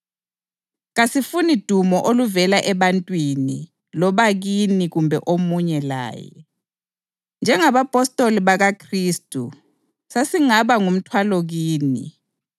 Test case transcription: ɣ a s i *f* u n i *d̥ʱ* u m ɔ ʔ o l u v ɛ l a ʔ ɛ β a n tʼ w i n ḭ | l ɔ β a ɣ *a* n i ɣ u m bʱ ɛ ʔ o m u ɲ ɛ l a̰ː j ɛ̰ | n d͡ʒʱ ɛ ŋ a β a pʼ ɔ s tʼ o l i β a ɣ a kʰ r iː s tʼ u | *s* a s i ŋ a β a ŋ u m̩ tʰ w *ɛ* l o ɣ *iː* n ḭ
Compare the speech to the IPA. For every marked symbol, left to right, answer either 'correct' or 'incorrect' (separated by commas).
correct, correct, incorrect, correct, incorrect, correct